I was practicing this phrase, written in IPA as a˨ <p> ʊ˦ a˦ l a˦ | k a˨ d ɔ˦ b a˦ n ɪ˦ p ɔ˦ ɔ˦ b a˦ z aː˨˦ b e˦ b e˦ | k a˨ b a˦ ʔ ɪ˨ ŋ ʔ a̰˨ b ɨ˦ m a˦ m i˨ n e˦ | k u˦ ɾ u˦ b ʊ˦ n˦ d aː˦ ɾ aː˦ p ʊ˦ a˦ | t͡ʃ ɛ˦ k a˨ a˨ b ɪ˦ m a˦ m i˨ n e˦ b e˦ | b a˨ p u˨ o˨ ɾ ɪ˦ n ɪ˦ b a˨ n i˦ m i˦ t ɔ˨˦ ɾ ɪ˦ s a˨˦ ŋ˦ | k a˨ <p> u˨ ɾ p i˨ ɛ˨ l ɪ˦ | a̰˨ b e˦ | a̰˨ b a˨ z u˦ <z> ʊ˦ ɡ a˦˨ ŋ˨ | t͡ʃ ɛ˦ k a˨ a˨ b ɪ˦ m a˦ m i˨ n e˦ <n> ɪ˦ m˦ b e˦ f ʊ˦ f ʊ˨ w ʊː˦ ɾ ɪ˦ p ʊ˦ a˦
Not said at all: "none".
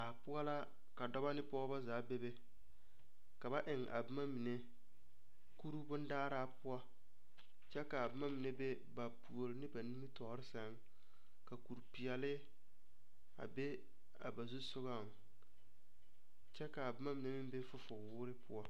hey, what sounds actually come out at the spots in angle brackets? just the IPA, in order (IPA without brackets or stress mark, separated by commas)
p, k, s, m